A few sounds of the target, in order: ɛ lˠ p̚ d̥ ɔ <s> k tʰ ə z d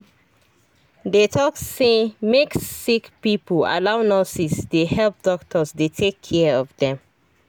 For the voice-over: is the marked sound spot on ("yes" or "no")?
no